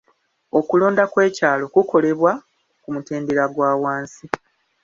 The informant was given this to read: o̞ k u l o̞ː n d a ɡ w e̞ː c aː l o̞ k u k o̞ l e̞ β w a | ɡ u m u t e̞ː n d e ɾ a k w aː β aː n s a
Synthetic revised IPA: o̞ k u l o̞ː n d a k w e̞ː c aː l o̞ k u k o̞ l e̞ β w a | k u m u t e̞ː n d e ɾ a ɡ w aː w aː n s i